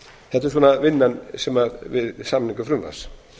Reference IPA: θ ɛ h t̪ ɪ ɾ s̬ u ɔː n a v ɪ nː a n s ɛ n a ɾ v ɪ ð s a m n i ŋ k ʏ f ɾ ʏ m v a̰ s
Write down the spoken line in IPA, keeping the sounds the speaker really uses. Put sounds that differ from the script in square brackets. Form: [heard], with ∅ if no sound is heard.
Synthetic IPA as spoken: θ ɛ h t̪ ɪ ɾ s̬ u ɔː n a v ɪ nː a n s ɛ [m] a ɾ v ɪ ð s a m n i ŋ k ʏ f ɾ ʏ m v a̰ s